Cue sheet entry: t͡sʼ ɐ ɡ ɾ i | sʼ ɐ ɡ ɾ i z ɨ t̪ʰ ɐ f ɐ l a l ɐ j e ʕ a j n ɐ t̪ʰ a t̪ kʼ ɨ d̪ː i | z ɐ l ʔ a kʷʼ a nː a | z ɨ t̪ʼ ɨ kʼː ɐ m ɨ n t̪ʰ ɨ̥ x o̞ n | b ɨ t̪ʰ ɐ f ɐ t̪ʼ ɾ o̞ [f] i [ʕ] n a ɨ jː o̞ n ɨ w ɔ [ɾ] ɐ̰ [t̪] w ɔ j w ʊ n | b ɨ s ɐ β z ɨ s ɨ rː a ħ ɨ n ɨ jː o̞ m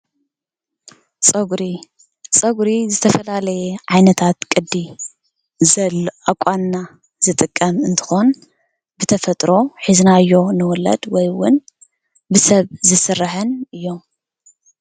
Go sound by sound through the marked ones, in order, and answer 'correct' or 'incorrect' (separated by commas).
incorrect, incorrect, incorrect, incorrect